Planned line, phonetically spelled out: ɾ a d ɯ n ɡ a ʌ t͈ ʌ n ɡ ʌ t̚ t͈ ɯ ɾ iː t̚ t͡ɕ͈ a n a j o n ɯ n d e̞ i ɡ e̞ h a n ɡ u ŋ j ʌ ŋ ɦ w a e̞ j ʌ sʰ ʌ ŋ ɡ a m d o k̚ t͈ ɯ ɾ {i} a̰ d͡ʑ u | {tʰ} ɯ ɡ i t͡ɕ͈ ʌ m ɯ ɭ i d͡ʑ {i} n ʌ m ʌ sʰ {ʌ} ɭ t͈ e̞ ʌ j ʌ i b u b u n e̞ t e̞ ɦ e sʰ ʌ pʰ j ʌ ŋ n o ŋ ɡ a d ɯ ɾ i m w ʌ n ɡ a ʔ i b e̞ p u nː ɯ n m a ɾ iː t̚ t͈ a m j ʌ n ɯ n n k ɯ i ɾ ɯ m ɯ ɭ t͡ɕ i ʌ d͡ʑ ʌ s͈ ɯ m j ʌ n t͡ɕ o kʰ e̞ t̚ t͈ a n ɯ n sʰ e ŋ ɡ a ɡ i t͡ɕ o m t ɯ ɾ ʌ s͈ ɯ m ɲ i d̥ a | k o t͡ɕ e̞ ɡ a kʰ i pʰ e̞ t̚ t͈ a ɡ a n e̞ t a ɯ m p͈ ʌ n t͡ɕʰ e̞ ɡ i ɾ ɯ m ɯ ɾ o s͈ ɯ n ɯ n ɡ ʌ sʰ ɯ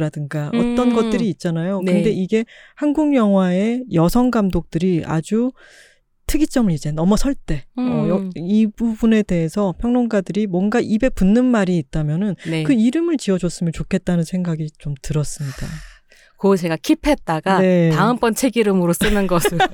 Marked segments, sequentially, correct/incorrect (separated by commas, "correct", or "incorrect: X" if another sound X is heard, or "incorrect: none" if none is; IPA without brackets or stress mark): correct, correct, incorrect: e, correct